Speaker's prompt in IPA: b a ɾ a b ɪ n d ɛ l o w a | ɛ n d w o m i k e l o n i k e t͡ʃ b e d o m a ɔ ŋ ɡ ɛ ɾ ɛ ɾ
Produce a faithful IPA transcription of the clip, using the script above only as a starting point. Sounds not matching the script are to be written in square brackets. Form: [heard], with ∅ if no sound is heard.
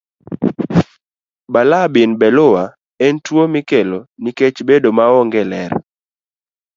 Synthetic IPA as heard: b a [l] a b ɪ n [b] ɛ l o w a | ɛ n [t] w o m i k e l o n i k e t͡ʃ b e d o m a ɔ ŋ ɡ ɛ [l] ɛ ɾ